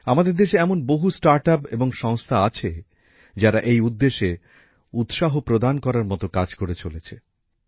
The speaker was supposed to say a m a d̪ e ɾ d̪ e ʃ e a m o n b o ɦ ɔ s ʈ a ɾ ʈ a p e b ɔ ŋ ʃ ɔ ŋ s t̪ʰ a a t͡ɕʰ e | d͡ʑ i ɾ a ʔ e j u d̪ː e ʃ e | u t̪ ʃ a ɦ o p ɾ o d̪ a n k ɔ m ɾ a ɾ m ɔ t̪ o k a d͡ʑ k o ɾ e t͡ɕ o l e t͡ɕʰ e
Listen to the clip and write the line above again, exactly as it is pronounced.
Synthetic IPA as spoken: a m a d̪ e ɾ d̪ e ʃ e ɛ m o n b o ɦ u s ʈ a ɾ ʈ a p e b o ŋ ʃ ɔ ŋ s t̪ʰ a a t͡ɕʰ e | d͡ʑ a ɾ a ʔ e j u d̪ː e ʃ e | u t̪ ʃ a ɦ o p ɾ o d̪ a n k ɔ ɾ a ɾ m ɔ t̪ o k a d͡ʑ k o ɾ e t͡ɕ o l e t͡ɕʰ e